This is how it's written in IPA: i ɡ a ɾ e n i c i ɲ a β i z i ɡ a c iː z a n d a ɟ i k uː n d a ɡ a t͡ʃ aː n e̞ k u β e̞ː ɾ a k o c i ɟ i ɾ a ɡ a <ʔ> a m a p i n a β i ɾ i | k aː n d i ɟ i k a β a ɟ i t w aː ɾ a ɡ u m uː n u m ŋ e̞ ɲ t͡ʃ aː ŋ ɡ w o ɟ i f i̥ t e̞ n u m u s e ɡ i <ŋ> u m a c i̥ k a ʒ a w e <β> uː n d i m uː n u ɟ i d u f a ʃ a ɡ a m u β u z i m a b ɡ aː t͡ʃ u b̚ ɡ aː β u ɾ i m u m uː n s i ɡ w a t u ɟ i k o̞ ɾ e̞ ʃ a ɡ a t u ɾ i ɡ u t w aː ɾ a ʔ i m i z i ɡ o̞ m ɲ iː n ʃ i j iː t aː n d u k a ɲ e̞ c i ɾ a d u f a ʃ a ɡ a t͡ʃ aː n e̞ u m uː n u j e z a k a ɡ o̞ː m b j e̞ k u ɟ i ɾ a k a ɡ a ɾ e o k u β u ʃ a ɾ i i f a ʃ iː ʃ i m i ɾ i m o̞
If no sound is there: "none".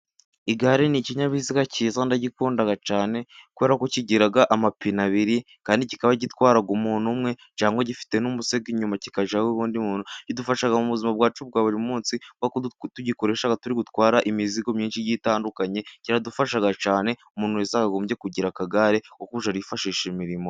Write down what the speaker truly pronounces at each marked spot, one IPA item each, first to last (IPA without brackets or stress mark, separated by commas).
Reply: ʔ, ɲ, β